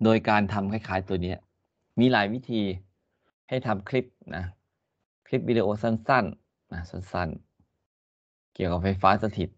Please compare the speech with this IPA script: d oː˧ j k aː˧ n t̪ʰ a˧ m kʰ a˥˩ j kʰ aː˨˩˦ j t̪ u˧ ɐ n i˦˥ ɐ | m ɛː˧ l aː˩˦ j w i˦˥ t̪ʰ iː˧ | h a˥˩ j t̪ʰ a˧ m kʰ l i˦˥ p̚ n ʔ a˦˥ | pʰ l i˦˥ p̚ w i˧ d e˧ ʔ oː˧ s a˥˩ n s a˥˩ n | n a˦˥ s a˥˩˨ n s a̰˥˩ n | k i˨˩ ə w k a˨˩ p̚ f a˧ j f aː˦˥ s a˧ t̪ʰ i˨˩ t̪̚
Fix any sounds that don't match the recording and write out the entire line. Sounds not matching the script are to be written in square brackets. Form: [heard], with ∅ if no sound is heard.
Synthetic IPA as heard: d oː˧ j k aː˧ n t̪ʰ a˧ m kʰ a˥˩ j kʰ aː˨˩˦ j t̪ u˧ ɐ n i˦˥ ɐ | m [iː˧] l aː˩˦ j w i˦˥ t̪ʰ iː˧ | h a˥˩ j t̪ʰ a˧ m kʰ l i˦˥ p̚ n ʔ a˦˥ | [kʰ] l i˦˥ p̚ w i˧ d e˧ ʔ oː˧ s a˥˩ n s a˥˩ n | n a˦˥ s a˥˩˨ n s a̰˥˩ n | k i˨˩ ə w k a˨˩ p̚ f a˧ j f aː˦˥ s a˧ t̪ʰ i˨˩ t̪̚

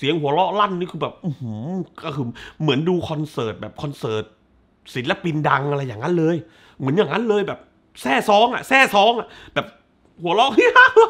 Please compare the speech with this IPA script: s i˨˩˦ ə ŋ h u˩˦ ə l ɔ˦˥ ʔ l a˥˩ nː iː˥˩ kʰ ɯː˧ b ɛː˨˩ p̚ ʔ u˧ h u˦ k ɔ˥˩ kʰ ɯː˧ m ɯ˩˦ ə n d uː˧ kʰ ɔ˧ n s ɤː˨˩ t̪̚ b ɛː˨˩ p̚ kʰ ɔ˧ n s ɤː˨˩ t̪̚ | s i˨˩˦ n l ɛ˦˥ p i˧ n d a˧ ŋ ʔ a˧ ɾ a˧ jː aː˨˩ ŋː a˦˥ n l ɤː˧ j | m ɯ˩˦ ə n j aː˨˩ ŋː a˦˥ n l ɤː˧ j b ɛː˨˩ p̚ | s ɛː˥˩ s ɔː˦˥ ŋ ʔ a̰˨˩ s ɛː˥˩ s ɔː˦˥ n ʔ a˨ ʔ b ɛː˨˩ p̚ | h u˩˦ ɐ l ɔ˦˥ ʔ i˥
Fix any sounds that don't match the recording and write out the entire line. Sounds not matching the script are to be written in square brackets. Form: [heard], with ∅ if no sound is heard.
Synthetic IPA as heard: s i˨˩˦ ə ŋ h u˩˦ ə l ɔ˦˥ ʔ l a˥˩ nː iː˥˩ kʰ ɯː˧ b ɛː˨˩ p̚ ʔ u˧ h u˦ k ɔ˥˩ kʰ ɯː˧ m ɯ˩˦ ə n d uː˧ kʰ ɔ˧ n s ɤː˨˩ t̪̚ b ɛː˨˩ p̚ kʰ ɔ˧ n s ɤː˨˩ t̪̚ | s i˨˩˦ n l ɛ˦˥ p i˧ n d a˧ ŋ ʔ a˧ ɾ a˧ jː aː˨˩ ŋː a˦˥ n l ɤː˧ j | m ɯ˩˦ ə n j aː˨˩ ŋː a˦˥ n l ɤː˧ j b ɛː˨˩ p̚ | s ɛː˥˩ s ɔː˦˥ ŋ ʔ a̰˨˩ s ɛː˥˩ s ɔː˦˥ [ŋ] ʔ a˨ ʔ b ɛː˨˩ p̚ | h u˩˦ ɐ l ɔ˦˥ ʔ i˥

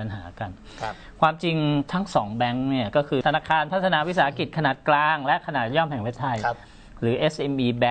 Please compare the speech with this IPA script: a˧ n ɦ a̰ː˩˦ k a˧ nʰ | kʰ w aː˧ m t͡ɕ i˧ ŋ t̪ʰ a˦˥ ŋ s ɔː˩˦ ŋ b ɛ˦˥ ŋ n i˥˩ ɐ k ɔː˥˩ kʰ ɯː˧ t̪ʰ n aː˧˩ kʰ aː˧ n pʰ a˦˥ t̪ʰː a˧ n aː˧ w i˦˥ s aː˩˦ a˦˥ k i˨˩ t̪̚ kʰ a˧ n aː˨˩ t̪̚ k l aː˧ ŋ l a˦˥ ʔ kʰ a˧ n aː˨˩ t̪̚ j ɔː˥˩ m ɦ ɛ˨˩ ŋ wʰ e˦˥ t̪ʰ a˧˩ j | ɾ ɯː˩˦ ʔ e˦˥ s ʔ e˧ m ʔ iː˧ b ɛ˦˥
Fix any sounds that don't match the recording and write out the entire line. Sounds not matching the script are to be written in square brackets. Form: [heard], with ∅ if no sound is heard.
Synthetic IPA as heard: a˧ n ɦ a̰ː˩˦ k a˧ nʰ | kʰ w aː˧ m t͡ɕ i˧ ŋ t̪ʰ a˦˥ ŋ s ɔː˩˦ ŋ b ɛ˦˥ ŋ n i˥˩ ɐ k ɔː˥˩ kʰ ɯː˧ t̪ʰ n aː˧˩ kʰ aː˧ n pʰ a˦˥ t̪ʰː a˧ n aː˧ w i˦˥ s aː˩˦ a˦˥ k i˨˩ t̪̚ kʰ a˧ n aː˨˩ t̪̚ k l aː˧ ŋ l [ɛ˦˥] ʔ kʰ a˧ n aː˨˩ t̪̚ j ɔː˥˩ m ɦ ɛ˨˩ ŋ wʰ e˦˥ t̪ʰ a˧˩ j | ɾ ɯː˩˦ ʔ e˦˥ s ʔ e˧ m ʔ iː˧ b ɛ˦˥

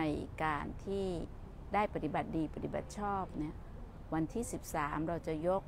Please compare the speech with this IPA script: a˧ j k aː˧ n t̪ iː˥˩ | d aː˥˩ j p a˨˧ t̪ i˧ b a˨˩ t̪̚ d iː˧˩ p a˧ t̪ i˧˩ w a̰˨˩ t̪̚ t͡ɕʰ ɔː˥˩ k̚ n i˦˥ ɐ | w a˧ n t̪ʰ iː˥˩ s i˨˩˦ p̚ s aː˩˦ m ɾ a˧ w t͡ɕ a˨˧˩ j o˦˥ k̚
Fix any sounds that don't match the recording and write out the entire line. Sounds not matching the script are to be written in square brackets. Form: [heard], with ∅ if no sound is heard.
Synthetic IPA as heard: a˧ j k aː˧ n [t̪ʰ] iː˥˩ | d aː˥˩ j p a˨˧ t̪ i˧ b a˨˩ t̪̚ d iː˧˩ p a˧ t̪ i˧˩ [b] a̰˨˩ t̪̚ t͡ɕʰ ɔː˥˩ [p̚] n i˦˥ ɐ | w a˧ n t̪ʰ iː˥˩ s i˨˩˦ p̚ s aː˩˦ m ɾ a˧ w t͡ɕ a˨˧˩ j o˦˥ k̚

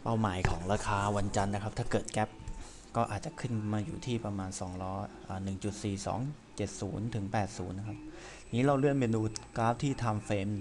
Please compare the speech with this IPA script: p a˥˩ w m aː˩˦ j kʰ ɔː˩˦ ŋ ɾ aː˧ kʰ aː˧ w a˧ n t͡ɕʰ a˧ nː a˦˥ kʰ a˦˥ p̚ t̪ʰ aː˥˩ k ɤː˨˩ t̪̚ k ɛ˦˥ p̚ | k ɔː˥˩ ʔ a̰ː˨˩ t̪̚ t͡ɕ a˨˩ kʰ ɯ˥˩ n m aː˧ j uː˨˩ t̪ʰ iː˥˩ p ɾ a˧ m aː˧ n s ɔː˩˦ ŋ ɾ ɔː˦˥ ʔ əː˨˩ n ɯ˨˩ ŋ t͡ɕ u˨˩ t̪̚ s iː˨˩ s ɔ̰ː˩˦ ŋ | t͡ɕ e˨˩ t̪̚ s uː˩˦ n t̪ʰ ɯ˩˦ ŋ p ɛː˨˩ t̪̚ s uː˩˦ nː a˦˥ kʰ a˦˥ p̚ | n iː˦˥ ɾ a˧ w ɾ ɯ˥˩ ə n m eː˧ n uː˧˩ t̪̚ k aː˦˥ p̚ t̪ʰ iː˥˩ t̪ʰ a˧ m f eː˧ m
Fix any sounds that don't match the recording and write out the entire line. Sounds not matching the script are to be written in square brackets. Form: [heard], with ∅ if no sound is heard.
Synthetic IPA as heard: p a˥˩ w m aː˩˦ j kʰ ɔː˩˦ ŋ ɾ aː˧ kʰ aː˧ w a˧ n [t͡ɕ] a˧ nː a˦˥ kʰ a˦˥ p̚ t̪ʰ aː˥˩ k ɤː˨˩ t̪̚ k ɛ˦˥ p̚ | k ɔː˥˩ ʔ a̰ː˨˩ t̪̚ t͡ɕ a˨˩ kʰ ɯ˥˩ n m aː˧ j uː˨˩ t̪ʰ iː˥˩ p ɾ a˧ m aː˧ n s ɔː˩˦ ŋ ɾ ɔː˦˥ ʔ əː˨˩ n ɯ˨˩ ŋ t͡ɕ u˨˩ t̪̚ s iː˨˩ s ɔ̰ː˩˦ ŋ | t͡ɕ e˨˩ t̪̚ s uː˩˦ n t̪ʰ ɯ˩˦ ŋ p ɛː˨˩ t̪̚ s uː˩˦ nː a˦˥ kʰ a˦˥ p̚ | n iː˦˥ ɾ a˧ w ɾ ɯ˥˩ ə n m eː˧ n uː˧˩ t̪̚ k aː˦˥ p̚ t̪ʰ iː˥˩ t̪ʰ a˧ m f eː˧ m

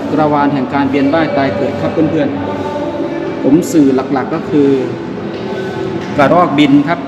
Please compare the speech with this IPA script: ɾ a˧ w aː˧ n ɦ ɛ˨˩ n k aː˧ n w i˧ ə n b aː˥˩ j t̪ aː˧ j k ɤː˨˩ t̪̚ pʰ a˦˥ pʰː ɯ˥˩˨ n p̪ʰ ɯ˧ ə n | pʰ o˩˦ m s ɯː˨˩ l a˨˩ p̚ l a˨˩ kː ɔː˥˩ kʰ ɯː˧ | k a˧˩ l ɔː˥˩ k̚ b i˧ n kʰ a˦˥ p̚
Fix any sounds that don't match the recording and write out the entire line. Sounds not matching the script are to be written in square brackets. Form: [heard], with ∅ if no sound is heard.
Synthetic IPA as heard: ɾ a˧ w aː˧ n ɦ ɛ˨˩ [ŋ] k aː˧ n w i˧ ə n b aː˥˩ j t̪ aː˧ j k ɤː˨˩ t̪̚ [kʰ] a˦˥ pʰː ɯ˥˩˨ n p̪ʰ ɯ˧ ə n | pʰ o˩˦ m s ɯː˨˩ l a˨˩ [k̚] l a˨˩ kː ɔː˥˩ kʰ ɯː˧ | k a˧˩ [ɾ] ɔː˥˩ k̚ b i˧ n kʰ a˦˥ p̚

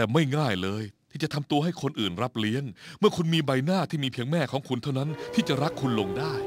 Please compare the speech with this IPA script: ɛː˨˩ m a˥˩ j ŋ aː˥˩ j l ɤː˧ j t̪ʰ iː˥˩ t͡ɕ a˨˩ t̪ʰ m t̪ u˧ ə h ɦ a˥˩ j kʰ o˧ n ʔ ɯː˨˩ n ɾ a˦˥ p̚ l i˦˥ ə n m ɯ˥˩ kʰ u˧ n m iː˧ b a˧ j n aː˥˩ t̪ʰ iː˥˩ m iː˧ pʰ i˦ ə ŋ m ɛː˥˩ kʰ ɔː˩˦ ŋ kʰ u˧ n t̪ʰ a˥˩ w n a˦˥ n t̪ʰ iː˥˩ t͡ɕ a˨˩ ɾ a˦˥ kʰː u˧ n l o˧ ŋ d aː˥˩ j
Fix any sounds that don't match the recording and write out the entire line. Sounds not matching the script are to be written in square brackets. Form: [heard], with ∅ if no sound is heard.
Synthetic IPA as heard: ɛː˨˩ m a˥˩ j ŋ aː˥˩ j l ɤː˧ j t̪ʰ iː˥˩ t͡ɕ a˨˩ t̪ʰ m t̪ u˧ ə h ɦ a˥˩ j kʰ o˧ n ʔ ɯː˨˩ n ɾ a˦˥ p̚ l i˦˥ ə [ŋ] m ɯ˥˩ kʰ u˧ n m iː˧ b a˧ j n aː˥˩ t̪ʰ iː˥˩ m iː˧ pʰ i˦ ə ŋ m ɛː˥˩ kʰ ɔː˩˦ ŋ kʰ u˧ n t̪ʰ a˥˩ w n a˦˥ n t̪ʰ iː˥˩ t͡ɕ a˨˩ ɾ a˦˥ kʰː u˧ n l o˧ ŋ d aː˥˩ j

